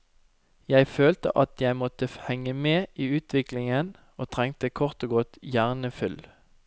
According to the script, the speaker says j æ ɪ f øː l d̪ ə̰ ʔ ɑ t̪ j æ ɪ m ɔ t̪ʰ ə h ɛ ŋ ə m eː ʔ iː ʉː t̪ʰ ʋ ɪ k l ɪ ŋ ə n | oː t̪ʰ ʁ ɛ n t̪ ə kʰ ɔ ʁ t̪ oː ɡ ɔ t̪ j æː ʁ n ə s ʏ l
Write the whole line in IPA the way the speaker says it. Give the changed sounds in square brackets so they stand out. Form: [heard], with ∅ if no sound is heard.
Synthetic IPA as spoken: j æ ɪ f øː l [t̪] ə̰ ʔ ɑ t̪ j æ ɪ m ɔ [t̪] ə h ɛ ŋ ə m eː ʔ iː ʉː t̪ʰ ʋ ɪ k l ɪ ŋ ə n | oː t̪ʰ ʁ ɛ [ŋ] t̪ ə kʰ ɔ ʁ t̪ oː ɡ ɔ t̪ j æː ʁ n ə [f] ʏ l

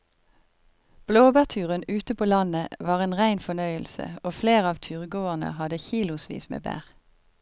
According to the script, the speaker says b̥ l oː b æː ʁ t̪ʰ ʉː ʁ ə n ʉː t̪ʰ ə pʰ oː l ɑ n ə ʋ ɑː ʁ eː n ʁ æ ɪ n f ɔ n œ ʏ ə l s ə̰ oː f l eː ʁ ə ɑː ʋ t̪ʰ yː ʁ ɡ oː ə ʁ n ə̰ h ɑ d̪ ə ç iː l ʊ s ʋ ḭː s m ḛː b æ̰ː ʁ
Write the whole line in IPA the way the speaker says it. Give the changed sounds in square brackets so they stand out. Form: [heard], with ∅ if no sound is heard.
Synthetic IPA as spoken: b̥ l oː b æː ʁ t̪ʰ ʉː ʁ ə n ʉː [t̪] ə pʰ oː l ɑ n ə ʋ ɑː ʁ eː n ʁ æ ɪ n f ɔ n œ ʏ ə l s ə̰ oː f l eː ʁ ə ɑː ʋ t̪ʰ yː ʁ ɡ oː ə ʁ n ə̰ h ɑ d̪ ə ç iː l ʊ s ʋ ḭː s m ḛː b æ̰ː ʁ

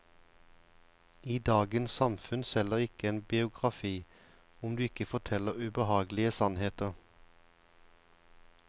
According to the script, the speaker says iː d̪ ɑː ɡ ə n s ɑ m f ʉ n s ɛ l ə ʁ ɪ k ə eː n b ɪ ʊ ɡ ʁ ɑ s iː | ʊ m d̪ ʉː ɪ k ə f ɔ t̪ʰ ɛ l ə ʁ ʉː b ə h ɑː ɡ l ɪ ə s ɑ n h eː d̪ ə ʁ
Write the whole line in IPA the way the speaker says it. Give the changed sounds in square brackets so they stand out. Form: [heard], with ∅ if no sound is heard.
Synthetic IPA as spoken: iː d̪ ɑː ɡ ə n s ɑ m f ʉ n s ɛ l ə ʁ ɪ k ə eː n b ɪ ʊ ɡ ʁ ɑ [f] iː | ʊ m d̪ ʉː ɪ k ə f ɔ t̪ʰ ɛ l ə ʁ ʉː b ə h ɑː ɡ l ɪ ə s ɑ n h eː [t̪] ə ʁ

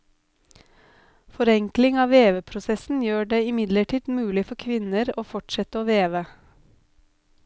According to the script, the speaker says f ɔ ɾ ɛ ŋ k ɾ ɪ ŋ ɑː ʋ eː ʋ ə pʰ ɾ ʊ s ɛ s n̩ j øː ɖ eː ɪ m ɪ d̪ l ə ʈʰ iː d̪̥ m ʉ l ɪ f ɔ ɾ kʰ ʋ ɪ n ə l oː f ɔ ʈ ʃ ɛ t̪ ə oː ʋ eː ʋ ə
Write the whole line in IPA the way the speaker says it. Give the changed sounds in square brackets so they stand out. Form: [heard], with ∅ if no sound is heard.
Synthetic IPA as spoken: f ɔ ɾ ɛ ŋ k [l] ɪ ŋ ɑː ʋ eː ʋ ə pʰ ɾ ʊ s ɛ s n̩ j øː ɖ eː ɪ m ɪ d̪ l ə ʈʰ iː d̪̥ m [ʉː] l ɪ f ɔ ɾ kʰ ʋ ɪ n ə [ɾ] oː f ɔ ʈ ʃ ɛ t̪ ə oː ʋ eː ʋ ə

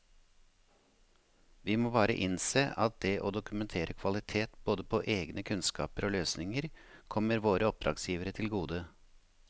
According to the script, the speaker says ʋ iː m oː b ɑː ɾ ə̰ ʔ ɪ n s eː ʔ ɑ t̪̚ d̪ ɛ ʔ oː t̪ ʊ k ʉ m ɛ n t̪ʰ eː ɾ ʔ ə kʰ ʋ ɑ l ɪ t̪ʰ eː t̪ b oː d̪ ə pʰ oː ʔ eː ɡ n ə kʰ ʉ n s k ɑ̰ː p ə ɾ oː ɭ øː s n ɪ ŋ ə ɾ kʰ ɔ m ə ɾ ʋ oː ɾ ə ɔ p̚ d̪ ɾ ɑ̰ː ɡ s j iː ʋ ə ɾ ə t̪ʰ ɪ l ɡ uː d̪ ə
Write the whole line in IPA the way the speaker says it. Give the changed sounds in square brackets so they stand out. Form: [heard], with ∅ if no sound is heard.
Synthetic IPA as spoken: ʋ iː m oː b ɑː ɾ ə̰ ʔ ɪ n s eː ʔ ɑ t̪̚ d̪ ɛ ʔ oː [d̪] ʊ k ʉ m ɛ n t̪ʰ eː ɾ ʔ ə kʰ ʋ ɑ l ɪ t̪ʰ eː t̪ b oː d̪ ə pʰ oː ʔ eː ɡ n ə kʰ ʉ n s k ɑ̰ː p ə ɾ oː [l] øː s n ɪ ŋ ə ɾ kʰ ɔ m ə ɾ ʋ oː ɾ ə ɔ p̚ d̪ ɾ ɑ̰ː ɡ s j iː ʋ ə ɾ ə t̪ʰ ɪ l ɡ uː d̪ ə

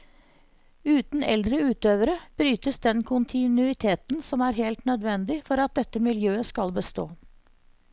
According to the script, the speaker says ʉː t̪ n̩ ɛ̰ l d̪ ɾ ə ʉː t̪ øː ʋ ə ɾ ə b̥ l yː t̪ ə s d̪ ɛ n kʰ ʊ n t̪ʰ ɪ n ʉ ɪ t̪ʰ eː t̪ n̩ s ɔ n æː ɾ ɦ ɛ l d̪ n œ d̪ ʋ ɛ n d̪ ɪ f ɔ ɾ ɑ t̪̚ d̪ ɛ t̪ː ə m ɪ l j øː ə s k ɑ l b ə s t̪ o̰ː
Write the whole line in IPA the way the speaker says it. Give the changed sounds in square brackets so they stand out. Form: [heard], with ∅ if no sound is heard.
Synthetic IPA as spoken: ʉː t̪ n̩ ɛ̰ l d̪ ɾ ə ʉː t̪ øː ʋ ə ɾ ə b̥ [ɾ] yː t̪ ə s d̪ ɛ n kʰ ʊ n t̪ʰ ɪ n ʉ ɪ t̪ʰ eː t̪ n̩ s ɔ [m] æː ɾ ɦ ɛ l [t̪] n œ d̪ ʋ ɛ n d̪ ɪ f ɔ ɾ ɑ t̪̚ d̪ ɛ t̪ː ə m ɪ l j øː ə s k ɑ l b ə s t̪ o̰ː

